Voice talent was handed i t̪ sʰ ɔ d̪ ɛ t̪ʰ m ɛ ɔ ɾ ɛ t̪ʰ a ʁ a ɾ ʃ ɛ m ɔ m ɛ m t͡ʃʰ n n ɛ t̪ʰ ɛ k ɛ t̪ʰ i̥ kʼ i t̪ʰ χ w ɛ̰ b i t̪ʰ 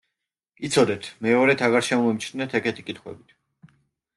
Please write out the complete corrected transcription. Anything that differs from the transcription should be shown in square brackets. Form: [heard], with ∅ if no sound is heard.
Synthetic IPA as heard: i t̪ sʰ ɔ d̪ ɛ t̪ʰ m ɛ ɔ ɾ ɛ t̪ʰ a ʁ a ɾ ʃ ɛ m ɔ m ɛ m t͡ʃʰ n n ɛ t̪ʰ ɛ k ɛ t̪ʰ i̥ kʼ i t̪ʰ χ w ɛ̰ b i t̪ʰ